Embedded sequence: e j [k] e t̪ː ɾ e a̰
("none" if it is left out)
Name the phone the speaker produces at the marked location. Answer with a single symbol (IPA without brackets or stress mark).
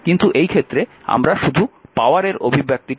kʰ